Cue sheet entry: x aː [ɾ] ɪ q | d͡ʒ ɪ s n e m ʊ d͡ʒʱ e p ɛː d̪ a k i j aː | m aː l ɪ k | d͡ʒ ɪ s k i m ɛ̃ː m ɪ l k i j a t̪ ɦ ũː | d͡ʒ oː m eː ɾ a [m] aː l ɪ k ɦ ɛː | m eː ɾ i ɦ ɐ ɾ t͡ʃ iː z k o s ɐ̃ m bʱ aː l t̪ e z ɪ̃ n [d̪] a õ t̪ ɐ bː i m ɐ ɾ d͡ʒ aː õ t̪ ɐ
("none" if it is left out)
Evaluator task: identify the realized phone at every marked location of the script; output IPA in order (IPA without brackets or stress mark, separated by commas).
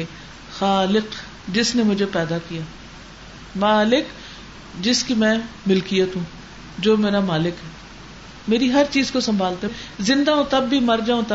l, m, d̪